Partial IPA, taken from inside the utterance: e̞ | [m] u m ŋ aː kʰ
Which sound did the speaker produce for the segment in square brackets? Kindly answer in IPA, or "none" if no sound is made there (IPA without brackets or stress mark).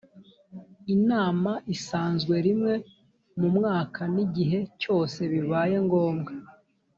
m